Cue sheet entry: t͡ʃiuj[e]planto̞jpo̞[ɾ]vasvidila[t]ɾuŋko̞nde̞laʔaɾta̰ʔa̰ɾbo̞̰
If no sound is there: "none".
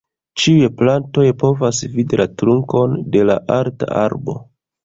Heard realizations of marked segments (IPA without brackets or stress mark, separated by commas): e, none, t